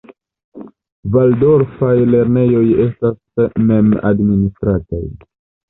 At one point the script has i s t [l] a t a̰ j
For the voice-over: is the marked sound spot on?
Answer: no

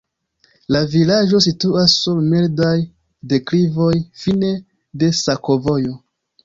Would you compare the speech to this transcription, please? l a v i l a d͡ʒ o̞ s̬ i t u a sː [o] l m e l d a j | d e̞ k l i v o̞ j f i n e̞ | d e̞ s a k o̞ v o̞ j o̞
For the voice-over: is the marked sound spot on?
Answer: no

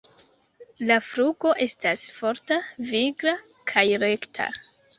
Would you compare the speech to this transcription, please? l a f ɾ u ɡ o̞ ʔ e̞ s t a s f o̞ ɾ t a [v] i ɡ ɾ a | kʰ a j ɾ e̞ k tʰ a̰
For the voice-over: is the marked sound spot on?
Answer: yes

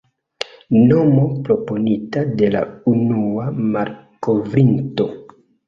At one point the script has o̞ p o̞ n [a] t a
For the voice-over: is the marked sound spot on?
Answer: no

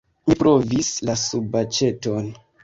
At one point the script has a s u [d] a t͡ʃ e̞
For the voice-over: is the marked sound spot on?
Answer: no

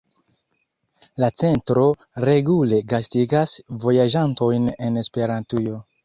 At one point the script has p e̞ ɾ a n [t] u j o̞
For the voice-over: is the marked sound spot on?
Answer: yes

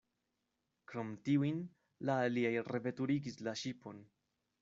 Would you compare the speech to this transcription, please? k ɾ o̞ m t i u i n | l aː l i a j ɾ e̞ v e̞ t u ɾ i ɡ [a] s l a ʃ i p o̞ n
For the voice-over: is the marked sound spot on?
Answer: no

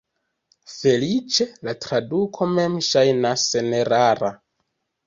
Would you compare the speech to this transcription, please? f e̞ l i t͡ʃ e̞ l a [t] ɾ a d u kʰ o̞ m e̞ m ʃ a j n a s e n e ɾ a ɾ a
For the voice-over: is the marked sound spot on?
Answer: yes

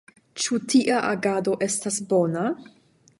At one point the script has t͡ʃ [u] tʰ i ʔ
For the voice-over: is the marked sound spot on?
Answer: yes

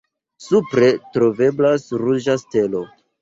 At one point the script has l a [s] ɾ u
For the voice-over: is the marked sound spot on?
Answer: yes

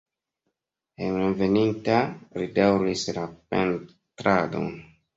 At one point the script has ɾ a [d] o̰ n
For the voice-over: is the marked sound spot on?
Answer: yes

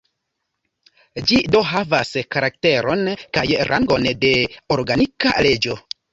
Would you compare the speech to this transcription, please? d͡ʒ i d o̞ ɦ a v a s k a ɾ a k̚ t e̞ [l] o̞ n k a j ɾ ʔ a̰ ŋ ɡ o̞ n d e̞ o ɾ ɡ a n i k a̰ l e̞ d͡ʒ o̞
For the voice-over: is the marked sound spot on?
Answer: no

